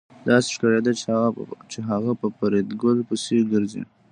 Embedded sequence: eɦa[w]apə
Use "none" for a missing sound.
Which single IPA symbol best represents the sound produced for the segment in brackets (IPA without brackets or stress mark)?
ɣ